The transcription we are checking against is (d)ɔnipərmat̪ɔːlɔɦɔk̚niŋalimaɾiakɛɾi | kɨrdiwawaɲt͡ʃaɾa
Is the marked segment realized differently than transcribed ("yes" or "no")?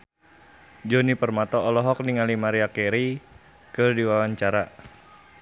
yes